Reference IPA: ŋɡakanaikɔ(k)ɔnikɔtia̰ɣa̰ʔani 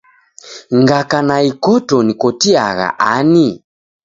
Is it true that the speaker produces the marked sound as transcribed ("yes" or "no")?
no